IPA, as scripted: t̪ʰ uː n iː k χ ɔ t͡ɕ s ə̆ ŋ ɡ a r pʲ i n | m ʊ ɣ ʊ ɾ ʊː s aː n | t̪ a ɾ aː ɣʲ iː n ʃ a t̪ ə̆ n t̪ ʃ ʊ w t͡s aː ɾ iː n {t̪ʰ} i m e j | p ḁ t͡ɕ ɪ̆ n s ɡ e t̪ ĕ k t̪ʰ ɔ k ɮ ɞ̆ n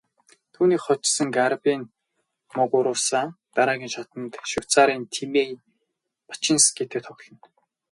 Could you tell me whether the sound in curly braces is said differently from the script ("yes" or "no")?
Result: no